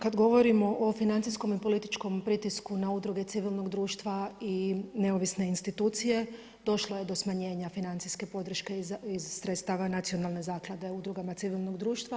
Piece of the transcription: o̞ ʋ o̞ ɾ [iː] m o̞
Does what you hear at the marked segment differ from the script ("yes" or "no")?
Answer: yes